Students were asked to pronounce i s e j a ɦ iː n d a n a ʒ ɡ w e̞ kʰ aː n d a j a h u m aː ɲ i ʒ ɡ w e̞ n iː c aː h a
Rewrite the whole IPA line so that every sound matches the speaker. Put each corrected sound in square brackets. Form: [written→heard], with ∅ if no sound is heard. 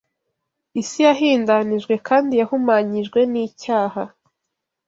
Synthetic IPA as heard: i s [e→i] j a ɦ iː n d a n [a→i] ʒ ɡ w e̞ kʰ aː n d [a→i] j a h u m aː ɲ i ʒ ɡ w e̞ n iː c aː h a